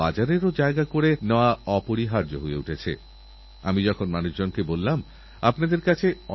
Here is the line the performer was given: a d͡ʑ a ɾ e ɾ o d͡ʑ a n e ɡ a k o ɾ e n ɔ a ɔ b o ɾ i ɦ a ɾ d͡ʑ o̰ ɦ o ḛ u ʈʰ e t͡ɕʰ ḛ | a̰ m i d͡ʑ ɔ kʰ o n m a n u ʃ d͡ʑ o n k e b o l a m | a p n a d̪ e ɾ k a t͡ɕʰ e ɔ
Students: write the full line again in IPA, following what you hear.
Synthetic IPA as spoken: a d͡ʑ a ɾ e ɾ o d͡ʑ a e ɡ a k o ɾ e n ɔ a ɔ p o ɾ i ɦ a ɾ d͡ʑ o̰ ɦ o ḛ u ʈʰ e t͡ɕʰ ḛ | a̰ m i d͡ʑ ɔ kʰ o n m a n u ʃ d͡ʑ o n k e b o lː a m | a p n a d̪ e ɾ k a t͡ɕʰ e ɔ